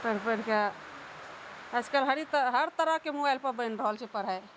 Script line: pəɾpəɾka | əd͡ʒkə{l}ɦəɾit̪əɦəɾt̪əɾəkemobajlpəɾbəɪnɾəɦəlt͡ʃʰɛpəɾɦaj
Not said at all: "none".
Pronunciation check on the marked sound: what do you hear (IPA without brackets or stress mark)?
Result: l